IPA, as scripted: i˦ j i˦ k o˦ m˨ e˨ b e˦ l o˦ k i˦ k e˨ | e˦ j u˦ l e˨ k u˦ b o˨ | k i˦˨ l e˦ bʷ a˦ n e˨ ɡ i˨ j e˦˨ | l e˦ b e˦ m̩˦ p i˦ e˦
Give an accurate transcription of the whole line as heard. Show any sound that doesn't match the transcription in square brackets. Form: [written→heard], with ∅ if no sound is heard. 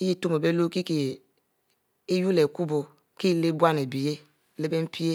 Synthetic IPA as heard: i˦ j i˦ [k→t] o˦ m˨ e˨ b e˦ l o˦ k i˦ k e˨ | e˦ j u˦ l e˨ k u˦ b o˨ | k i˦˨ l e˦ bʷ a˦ n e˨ [ɡ→b] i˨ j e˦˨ | l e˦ b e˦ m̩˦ p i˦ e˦